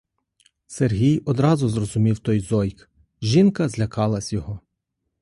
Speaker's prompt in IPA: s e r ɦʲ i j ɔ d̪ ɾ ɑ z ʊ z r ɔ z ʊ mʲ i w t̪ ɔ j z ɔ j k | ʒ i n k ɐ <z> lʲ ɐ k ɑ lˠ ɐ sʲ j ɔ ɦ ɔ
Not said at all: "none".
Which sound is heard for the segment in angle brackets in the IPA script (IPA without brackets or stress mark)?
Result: z